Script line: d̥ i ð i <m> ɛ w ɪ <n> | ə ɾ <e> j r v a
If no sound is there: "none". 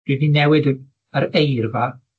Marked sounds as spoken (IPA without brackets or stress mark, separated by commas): n, d, e